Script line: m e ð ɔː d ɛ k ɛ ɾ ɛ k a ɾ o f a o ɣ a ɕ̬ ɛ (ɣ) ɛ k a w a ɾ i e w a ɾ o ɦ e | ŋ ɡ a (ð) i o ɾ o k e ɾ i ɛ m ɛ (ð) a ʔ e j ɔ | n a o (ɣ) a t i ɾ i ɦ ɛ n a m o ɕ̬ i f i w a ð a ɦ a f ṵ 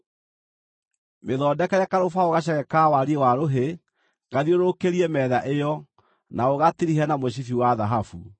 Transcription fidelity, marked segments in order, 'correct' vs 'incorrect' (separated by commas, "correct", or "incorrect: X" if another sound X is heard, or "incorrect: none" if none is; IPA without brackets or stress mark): correct, correct, correct, correct